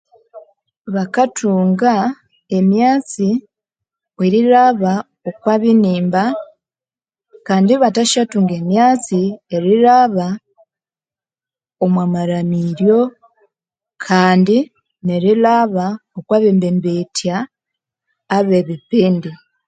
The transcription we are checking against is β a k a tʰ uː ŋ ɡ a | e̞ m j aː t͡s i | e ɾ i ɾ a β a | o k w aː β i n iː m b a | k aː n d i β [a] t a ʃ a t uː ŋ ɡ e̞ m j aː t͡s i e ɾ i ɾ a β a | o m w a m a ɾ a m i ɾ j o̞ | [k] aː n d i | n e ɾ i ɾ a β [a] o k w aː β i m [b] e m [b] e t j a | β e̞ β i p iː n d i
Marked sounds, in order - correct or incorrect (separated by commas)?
correct, incorrect, correct, correct, correct